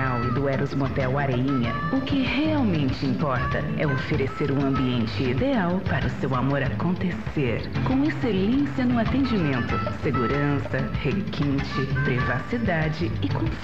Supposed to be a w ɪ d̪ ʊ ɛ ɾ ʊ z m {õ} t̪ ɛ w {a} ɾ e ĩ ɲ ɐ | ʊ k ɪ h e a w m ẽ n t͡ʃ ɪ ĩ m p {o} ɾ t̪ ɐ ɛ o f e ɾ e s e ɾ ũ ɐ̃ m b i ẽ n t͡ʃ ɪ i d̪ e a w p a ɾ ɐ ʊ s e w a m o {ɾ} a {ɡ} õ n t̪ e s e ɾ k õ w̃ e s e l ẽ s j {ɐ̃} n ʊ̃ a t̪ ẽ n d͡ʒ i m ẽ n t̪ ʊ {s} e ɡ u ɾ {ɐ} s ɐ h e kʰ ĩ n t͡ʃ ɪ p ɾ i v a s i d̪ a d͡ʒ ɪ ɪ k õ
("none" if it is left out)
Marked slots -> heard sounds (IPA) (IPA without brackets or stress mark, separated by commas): o, a, ɔ, ɾ, k, ɐ, s, ɐ̃